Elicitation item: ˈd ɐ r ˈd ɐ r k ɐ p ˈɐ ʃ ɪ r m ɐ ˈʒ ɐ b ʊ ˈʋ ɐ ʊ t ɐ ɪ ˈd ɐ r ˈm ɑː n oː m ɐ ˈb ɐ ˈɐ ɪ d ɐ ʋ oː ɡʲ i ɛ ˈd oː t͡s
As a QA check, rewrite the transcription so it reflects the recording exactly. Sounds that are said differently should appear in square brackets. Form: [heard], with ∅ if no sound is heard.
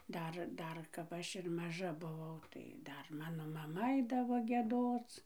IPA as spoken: ˈd ɐ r ˈd ɐ r k ɐ p ˈɐ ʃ ɪ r m ɐ ˈʒ ɐ b ʊ ˈʋ ɐ ʊ t ɐ ɪ ˈd ɐ r ˈm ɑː n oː m ɐ [ˈm] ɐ ˈɐ ɪ d ɐ ʋ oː ɡʲ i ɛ ˈd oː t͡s

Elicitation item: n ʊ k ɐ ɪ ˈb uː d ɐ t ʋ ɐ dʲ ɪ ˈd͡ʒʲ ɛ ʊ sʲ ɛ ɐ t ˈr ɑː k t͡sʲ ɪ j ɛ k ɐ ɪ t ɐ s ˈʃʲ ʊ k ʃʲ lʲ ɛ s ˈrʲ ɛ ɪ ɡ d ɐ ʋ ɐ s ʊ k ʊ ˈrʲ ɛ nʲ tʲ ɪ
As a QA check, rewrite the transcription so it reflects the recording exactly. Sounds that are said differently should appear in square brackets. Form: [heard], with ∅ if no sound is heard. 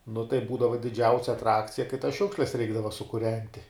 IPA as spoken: n ʊ [t] ɐ ɪ ˈb uː d ɐ [∅] ʋ ɐ dʲ ɪ ˈd͡ʒʲ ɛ ʊ sʲ ɛ ɐ t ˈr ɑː k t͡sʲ ɪ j ɛ k ɐ ɪ t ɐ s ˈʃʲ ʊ k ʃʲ lʲ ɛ s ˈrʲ ɛ ɪ ɡ d ɐ ʋ ɐ s ʊ k ʊ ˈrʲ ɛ nʲ tʲ ɪ

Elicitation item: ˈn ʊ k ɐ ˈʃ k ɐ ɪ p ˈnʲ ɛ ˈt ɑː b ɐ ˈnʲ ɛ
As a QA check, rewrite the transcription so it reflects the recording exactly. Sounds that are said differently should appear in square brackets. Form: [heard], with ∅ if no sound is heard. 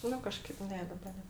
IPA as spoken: ˈn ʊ k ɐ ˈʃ k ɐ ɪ p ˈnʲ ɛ [ˈd] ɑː b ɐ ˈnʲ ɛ

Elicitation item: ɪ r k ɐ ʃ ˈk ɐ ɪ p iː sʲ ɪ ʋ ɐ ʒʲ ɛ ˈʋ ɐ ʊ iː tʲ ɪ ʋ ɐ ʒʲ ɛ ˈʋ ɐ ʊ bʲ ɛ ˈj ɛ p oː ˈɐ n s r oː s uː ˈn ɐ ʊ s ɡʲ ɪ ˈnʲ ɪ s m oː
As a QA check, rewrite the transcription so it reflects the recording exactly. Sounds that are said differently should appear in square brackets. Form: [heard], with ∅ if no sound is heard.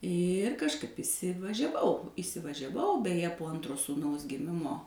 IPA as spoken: ɪ r k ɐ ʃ ˈk ɐ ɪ p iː sʲ ɪ ʋ ɐ ʒʲ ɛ ˈʋ ɐ ʊ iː [sʲ] ɪ ʋ ɐ ʒʲ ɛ ˈʋ ɐ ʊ bʲ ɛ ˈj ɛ p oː ˈɐ n [t] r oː s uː ˈn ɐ ʊ s ɡʲ ɪ [ˈmʲ] ɪ [∅] m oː

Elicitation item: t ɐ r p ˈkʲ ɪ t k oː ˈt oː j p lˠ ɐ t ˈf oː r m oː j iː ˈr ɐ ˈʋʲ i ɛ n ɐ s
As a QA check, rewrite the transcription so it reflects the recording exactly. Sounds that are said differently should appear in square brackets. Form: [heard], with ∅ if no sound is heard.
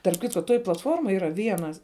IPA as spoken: t ɐ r p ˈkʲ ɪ t k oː ˈt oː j p lˠ ɐ t ˈf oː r m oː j iː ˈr ɐ ˈʋʲ i ɛ n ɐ s

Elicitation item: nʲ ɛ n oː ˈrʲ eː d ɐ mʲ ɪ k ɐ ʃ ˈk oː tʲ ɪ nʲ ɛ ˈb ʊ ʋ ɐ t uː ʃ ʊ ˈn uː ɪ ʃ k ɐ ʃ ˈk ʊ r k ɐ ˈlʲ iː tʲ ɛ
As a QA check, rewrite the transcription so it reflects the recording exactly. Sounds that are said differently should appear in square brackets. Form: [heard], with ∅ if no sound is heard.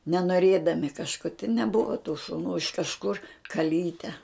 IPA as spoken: nʲ ɛ n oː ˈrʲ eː d ɐ mʲ ɪ k ɐ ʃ ˈk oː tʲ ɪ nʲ ɛ ˈb ʊ ʋ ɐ t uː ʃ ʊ ˈn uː ɪ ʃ k ɐ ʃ ˈk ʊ r k ɐ ˈlʲ iː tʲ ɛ

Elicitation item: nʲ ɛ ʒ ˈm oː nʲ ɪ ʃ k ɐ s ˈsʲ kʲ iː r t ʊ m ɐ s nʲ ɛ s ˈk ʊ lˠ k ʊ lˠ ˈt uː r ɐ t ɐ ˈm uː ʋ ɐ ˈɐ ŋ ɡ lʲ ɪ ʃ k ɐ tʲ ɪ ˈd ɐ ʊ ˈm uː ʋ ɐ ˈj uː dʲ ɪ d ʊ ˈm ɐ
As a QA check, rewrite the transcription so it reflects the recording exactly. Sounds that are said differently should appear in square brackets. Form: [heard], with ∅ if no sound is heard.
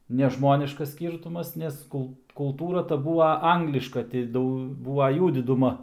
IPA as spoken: nʲ ɛ ʒ ˈm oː nʲ ɪ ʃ k ɐ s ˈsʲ kʲ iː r t ʊ m ɐ s nʲ ɛ s ˈk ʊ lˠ k ʊ lˠ ˈt uː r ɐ t ɐ [ˈb] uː ʋ ɐ ˈɐ ŋ ɡ lʲ ɪ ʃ k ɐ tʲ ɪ ˈd ɐ ʊ [ˈb] uː ʋ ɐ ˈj uː dʲ ɪ d ʊ ˈm ɐ

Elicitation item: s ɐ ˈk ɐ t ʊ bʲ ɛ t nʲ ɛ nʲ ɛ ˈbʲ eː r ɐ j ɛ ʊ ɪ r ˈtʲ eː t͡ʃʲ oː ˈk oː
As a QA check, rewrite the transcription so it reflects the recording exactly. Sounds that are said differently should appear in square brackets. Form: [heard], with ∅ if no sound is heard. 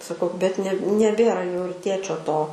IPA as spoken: s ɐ ˈk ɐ [∅] ʊ bʲ ɛ t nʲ ɛ nʲ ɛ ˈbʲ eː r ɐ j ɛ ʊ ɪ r ˈtʲ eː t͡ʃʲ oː [ˈt] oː

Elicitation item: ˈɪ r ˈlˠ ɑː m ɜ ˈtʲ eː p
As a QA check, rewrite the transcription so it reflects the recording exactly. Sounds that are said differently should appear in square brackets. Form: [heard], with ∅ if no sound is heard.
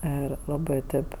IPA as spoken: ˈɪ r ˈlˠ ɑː [b] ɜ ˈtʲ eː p

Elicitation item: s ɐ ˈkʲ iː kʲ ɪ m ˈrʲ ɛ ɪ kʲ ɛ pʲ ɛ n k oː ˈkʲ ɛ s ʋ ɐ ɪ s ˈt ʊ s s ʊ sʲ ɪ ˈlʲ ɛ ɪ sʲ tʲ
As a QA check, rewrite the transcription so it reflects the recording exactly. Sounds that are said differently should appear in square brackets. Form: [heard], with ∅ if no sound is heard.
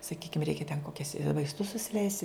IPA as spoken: s ɐ ˈkʲ iː kʲ ɪ m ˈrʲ ɛ ɪ kʲ ɛ [tʲ] ɛ n k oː ˈkʲ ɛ s ʋ ɐ ɪ s ˈt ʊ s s ʊ sʲ ɪ ˈlʲ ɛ ɪ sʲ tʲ

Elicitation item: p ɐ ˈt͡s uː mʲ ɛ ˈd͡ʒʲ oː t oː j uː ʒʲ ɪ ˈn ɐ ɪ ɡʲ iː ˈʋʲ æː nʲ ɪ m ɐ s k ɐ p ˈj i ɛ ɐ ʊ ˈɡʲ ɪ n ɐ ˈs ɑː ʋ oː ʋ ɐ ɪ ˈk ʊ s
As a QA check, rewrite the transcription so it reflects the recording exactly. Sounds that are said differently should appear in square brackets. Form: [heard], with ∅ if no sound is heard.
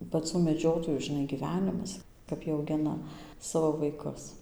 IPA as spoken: p ɐ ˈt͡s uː mʲ ɛ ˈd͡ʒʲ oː t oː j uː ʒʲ ɪ ˈn ɐ ɪ ɡʲ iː ˈʋʲ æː nʲ ɪ m ɐ s k ɐ p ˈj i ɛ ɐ ʊ ˈɡʲ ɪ n ɐ ˈs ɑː ʋ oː ʋ ɐ ɪ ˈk ʊ s

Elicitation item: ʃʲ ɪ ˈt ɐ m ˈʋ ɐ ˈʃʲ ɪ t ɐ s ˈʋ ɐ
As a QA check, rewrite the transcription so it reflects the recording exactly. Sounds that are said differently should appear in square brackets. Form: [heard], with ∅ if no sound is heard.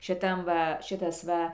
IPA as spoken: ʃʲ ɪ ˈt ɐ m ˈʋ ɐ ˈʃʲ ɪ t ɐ s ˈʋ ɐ

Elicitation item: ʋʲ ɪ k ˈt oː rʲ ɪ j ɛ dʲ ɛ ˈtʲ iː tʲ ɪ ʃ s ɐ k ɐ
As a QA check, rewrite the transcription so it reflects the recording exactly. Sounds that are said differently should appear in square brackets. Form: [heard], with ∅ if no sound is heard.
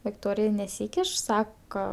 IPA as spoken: ʋʲ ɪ k ˈt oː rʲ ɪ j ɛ [nʲ] ɛ [ˈsʲ] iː [kʲ] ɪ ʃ s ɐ k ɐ

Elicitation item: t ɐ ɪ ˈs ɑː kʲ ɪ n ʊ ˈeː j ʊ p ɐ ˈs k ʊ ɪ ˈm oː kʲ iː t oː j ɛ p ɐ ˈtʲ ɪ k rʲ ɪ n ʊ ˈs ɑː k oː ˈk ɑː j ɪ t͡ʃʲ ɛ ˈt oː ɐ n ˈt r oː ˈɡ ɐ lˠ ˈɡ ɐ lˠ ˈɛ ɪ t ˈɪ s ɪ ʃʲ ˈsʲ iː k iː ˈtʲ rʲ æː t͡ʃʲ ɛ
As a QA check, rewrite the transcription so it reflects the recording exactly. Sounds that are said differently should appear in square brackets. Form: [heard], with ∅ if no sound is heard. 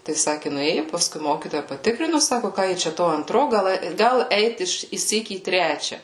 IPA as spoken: t ɐ ɪ ˈs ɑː kʲ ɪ n ʊ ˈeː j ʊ p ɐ ˈs k ʊ ɪ ˈm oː kʲ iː t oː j ɛ p ɐ ˈtʲ ɪ k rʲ ɪ n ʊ ˈs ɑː k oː ˈk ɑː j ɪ t͡ʃʲ ɛ ˈt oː ɐ n ˈt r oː ˈɡ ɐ lˠ ˈɡ ɐ lˠ ˈɛ ɪ t ˈɪ [ʃ] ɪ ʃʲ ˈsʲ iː k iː ˈtʲ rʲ æː t͡ʃʲ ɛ

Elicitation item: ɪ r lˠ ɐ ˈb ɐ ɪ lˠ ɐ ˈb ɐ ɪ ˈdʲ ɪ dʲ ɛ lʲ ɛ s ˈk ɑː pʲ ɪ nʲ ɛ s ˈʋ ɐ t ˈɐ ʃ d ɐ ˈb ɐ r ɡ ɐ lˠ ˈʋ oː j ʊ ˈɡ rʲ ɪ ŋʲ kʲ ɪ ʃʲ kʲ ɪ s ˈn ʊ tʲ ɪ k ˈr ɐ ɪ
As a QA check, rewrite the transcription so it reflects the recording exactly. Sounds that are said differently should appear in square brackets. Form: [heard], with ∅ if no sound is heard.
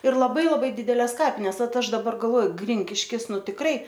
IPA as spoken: ɪ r lˠ ɐ ˈb ɐ ɪ lˠ ɐ ˈb ɐ ɪ ˈdʲ ɪ dʲ ɛ lʲ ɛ s ˈk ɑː pʲ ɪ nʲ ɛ s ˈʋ ɐ t ˈɐ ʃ d ɐ ˈb ɐ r ɡ ɐ lˠ ˈʋ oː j ʊ ˈɡ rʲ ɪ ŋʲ kʲ ɪ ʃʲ kʲ ɪ s ˈn ʊ tʲ ɪ k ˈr ɐ ɪ

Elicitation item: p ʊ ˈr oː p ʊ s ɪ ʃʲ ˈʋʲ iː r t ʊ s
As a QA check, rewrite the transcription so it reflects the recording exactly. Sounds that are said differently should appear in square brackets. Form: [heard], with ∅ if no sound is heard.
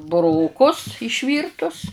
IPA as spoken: [b] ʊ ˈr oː [k] ʊ s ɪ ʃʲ ˈʋʲ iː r t ʊ s

